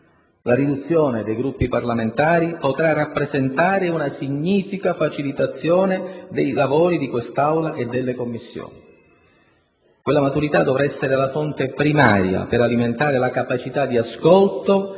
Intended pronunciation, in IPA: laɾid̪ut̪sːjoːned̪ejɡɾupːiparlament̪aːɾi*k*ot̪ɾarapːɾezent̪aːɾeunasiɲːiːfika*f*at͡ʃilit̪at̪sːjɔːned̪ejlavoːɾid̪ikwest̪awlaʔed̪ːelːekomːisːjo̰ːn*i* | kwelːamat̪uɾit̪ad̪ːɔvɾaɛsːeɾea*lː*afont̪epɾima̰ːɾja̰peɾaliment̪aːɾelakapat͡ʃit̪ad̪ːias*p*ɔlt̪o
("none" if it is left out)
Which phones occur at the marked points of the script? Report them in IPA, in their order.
p, f, i, l, k

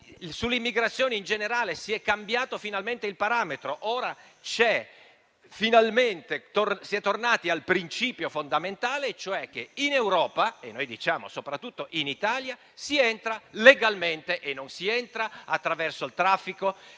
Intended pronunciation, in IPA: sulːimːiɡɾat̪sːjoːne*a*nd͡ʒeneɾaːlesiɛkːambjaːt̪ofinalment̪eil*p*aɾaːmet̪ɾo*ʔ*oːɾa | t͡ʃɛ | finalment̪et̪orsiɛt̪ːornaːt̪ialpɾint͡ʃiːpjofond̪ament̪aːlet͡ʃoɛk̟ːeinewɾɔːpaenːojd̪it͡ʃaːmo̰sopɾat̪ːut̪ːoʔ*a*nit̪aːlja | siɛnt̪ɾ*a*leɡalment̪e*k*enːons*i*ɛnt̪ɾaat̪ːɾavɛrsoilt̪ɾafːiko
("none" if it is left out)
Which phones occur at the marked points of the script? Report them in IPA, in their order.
i, p, ʔ, i, a, ʔ, i

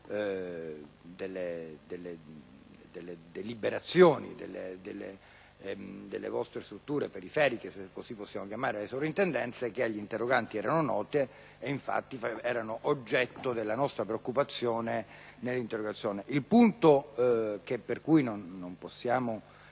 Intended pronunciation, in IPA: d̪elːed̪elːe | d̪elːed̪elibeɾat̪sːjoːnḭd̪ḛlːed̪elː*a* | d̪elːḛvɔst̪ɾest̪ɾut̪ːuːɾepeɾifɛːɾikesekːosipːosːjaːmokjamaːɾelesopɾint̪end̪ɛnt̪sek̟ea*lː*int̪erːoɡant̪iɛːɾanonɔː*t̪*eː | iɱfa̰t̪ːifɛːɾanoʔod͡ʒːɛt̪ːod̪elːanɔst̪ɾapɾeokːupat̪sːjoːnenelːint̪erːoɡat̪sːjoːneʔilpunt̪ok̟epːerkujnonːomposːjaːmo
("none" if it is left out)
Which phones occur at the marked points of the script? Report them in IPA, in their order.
e, ʎː, t̪

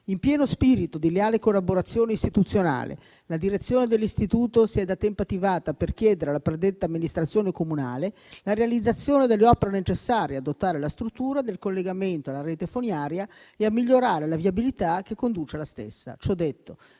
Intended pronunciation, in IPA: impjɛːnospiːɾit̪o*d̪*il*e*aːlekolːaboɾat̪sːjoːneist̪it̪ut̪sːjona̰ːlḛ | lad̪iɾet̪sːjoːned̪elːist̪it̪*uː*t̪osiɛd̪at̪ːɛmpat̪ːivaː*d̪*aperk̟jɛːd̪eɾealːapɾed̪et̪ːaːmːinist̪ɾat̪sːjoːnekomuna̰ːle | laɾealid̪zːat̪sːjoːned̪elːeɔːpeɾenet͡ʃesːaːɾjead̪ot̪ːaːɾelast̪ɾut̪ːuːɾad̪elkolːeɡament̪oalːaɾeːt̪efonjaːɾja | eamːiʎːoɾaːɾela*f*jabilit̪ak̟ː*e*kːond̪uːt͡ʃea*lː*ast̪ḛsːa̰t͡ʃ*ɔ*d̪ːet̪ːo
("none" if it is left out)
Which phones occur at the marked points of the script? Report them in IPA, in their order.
d̪, e, uː, t̪, v, e, l, ɔ

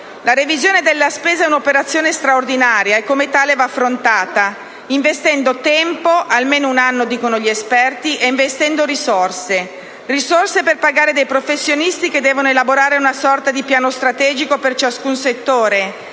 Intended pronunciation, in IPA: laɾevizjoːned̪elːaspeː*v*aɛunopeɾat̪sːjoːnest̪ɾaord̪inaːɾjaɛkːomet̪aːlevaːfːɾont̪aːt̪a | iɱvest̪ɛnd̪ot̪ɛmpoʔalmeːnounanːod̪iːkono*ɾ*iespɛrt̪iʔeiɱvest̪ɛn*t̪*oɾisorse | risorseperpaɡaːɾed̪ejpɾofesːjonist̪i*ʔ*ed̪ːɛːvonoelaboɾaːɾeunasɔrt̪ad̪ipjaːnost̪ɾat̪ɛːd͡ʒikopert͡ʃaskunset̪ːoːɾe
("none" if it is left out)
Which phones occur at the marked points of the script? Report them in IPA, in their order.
z, ʎ, d̪, k

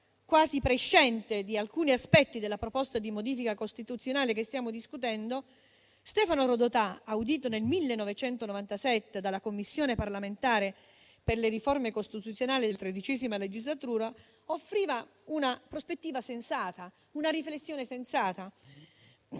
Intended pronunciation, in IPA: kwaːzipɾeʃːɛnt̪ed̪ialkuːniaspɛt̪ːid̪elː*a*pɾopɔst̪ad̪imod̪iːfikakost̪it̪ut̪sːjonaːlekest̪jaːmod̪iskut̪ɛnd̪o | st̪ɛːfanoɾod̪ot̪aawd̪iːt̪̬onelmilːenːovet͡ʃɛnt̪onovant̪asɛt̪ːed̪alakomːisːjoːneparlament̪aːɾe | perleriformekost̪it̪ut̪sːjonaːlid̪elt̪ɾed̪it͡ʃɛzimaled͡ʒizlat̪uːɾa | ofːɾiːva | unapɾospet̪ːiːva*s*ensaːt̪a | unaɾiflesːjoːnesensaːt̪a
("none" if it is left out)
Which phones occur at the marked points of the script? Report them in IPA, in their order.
a, s

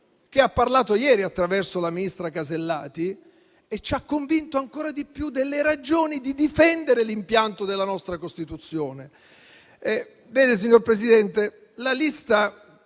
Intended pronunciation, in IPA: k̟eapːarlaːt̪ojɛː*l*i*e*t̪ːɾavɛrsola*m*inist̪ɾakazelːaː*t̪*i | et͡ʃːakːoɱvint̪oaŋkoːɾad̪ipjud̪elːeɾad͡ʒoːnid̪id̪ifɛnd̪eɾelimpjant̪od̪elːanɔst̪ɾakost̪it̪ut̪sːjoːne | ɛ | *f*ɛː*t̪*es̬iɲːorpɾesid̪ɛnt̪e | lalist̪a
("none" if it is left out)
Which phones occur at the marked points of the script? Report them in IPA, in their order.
ɾ, a, m, t̪, v, d̪

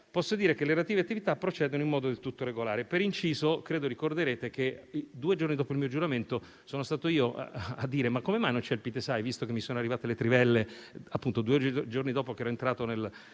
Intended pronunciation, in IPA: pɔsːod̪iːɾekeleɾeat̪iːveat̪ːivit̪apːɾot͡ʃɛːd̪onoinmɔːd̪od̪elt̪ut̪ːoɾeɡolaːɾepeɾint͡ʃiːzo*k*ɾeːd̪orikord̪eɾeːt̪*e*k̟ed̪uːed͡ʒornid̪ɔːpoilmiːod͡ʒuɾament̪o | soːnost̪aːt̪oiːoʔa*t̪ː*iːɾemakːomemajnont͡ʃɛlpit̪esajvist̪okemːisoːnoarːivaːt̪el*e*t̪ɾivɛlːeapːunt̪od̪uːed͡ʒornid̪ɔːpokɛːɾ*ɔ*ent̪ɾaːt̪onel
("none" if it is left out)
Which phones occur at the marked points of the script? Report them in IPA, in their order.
k, e, d̪ː, e, ɔ

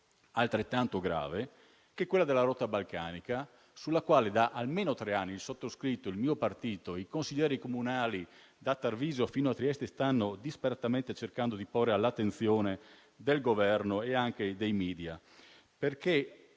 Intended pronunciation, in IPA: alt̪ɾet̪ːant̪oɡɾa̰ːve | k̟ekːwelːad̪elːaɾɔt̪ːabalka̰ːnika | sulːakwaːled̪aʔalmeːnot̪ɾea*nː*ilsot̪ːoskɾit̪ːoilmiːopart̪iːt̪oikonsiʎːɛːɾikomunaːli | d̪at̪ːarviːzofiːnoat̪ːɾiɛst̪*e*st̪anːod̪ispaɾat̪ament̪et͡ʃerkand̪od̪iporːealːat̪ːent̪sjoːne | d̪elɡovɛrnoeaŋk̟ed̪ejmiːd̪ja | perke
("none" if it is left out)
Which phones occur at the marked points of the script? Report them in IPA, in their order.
nː, e

